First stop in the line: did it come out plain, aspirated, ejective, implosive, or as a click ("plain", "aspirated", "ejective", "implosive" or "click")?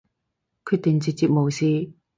aspirated